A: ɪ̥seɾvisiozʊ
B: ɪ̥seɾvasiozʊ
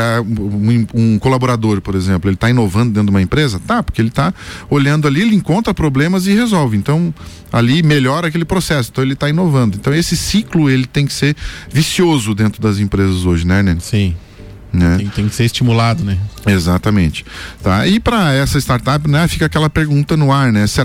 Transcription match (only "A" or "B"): A